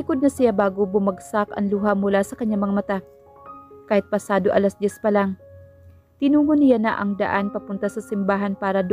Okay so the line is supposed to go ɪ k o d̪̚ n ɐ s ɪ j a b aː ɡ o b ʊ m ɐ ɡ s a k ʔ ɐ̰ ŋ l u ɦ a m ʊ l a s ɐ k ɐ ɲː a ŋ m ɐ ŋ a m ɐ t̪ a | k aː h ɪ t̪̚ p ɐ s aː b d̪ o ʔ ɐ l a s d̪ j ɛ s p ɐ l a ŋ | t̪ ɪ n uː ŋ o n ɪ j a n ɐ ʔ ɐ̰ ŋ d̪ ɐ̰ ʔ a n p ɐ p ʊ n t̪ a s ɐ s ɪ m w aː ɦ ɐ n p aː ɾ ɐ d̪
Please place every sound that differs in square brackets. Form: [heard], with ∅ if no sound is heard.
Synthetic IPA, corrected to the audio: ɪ k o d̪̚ n ɐ s ɪ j a b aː ɡ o b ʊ m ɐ ɡ s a k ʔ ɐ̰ ŋ l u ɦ a m ʊ l a s ɐ k ɐ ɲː a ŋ m ɐ ŋ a m ɐ t̪ a | k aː h ɪ t̪̚ p ɐ s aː [∅] d̪ o ʔ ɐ l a s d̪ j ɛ s p ɐ l a ŋ | t̪ ɪ n uː ŋ o n ɪ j a n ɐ ʔ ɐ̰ ŋ d̪ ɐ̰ ʔ a n p ɐ p ʊ n t̪ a s ɐ s ɪ m [b] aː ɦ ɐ n p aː ɾ ɐ d̪